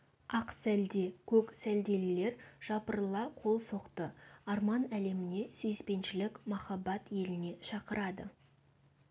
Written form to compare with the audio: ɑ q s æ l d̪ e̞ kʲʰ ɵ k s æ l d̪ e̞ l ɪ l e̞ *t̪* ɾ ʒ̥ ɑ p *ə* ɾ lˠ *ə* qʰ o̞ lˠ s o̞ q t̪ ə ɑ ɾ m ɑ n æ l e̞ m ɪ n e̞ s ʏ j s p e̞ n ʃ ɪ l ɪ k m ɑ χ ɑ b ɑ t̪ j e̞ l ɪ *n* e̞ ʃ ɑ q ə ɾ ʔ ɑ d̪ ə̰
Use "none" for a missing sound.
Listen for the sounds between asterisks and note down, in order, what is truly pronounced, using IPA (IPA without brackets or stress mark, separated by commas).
none, ə, ɑ, n